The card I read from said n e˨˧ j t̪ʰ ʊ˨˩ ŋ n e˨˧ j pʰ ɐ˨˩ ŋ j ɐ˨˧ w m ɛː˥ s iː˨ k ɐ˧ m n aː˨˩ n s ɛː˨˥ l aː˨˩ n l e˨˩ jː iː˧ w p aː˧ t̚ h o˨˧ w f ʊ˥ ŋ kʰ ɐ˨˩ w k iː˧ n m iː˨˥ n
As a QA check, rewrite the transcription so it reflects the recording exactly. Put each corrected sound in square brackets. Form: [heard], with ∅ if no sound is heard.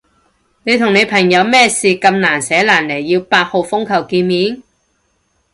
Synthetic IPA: n e˨˧ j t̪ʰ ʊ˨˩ ŋ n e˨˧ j pʰ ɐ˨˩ ŋ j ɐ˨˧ w m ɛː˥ s iː˨ k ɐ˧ m n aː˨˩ n s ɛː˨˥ l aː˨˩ n l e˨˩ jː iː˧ w p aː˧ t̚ h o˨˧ w f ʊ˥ ŋ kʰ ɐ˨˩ w k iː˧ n m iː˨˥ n